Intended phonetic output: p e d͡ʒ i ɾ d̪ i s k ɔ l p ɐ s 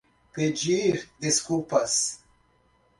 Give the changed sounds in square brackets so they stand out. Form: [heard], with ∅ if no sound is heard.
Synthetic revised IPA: p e d͡ʒ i ɾ d̪ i s k [u] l p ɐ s